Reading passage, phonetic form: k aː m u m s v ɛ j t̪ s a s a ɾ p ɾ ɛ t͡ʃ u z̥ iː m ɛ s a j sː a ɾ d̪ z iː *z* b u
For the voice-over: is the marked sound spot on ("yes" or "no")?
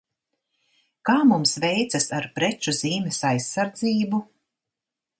no